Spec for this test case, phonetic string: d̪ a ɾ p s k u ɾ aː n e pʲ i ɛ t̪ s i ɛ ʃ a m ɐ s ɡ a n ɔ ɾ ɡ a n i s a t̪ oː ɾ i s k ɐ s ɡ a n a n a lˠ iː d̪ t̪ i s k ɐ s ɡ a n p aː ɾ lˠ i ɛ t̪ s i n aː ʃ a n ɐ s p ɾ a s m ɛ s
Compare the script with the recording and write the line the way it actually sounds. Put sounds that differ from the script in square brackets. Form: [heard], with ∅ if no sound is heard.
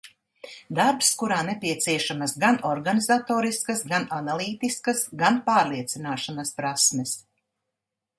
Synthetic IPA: d̪ a ɾ p s k u ɾ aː n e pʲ i ɛ t̪ s i ɛ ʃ a m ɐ s ɡ a n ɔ ɾ ɡ a n i [z] a t̪ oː ɾ i s k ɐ s ɡ a n a n a lˠ iː [∅] t̪ i s k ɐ s ɡ a n p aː ɾ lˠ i ɛ t̪ s i n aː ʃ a n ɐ s p ɾ a s m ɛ s